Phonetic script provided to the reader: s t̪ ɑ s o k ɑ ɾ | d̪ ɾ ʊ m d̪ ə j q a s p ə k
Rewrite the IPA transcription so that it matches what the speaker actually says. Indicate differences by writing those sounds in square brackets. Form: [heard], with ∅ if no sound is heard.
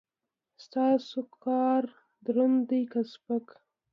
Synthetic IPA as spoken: s t̪ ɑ s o k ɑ ɾ | d̪ ɾ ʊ [n] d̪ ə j [k] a s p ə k